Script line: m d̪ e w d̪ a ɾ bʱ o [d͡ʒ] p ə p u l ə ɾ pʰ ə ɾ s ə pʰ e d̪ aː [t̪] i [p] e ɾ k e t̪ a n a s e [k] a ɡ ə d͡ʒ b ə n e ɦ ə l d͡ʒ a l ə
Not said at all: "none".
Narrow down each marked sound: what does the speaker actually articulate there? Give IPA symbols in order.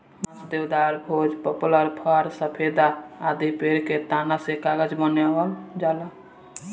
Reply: d͡ʒ, d̪, p, k

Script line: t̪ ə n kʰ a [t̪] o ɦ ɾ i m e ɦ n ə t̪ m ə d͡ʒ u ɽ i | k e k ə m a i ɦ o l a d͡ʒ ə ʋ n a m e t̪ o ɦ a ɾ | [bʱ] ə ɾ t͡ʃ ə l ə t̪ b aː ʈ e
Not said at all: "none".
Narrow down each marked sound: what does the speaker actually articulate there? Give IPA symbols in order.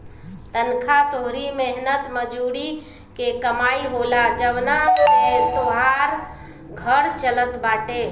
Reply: t̪, ɡʱ

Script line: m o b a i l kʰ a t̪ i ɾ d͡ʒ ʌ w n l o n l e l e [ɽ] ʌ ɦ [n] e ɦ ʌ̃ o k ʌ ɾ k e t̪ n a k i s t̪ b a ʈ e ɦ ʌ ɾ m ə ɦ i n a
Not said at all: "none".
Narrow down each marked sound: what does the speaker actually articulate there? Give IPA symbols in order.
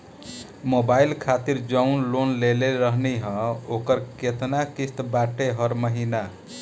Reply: ɾ, n

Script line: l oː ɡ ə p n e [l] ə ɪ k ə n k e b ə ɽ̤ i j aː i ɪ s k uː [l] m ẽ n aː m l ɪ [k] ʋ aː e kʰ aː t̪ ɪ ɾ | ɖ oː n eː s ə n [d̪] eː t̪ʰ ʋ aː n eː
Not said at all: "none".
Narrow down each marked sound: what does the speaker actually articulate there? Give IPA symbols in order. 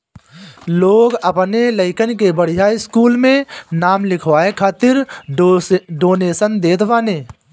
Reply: l, l, kʰ, d̪

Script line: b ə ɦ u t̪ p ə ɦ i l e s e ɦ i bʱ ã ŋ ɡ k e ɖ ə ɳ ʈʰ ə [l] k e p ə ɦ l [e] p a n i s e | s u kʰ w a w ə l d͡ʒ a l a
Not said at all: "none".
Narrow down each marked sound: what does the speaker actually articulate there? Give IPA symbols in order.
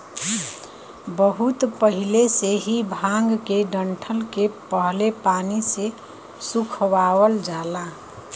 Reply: l, e

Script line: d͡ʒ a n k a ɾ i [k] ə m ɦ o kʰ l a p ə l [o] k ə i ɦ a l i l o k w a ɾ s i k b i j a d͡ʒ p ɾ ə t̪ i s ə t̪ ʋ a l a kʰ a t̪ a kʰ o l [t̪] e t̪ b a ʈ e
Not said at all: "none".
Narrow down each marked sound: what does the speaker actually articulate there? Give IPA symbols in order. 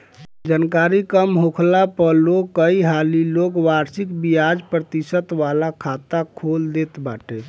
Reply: k, o, d̪

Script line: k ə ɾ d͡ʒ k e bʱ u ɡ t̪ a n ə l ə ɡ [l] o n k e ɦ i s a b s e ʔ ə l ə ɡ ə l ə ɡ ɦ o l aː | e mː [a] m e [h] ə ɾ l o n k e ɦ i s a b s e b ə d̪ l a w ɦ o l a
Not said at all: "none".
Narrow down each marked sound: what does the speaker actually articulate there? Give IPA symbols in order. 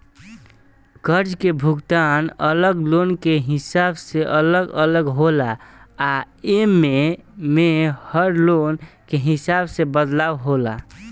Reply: l, e, h

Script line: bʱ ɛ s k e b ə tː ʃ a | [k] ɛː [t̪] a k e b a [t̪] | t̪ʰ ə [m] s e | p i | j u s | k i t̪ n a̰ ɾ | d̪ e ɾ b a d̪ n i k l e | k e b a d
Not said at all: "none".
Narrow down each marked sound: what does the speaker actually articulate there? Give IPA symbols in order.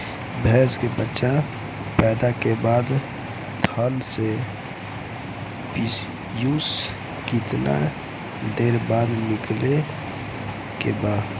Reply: p, d̪, d̪, n

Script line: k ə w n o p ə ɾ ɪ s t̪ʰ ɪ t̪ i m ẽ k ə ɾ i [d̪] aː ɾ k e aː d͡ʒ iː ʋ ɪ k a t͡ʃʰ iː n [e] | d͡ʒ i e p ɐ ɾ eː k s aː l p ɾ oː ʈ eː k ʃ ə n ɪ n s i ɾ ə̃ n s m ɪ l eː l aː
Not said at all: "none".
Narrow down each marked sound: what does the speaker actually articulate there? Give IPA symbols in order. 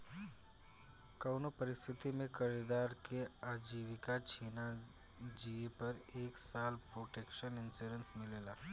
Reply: d̪, a

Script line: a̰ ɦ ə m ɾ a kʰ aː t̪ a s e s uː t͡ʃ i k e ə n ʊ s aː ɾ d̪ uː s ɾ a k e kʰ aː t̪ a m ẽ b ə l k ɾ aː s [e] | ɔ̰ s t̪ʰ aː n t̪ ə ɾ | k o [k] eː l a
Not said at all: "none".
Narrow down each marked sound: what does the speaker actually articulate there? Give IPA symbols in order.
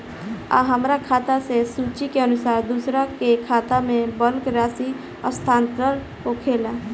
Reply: i, kʰ

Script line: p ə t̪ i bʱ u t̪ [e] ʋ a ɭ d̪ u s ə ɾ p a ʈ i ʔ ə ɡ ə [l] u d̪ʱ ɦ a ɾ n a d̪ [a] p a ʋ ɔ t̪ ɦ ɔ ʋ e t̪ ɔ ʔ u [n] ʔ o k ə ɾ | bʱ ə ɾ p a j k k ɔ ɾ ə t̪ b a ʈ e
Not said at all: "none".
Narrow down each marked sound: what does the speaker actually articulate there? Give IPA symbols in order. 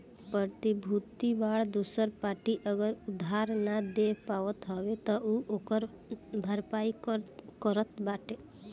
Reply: i, ɾ, e, none

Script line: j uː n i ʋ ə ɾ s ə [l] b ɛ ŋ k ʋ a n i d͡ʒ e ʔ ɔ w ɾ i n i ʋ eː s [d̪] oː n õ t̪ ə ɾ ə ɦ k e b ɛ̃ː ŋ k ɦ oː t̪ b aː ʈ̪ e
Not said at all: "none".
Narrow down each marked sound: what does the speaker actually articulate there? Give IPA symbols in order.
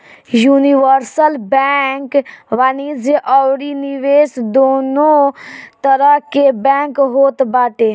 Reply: l, d̪

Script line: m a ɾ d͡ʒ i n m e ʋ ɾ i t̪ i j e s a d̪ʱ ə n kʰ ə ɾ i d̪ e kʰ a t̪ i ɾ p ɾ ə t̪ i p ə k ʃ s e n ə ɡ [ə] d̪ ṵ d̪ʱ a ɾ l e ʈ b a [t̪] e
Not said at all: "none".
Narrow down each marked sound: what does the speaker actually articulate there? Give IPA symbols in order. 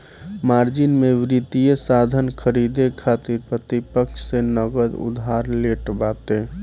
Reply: ə, t̪

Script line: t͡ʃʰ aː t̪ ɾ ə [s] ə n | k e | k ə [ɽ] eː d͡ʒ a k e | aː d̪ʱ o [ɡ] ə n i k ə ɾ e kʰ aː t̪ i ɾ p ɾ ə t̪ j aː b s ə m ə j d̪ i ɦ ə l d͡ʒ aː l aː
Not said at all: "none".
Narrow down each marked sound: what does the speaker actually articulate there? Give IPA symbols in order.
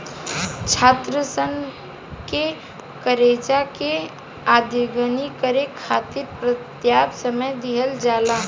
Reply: s, ɾ, ɡ

